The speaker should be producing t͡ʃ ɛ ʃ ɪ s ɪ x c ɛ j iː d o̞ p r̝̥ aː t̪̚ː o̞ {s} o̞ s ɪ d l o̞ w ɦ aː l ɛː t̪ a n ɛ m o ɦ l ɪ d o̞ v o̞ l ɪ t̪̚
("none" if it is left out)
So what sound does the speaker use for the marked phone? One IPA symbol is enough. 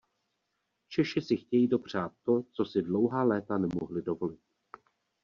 t͡s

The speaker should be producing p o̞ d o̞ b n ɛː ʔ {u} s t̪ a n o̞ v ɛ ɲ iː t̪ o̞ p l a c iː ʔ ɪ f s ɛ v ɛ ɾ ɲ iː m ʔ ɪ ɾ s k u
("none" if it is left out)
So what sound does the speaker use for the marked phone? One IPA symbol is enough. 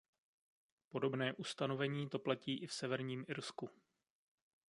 u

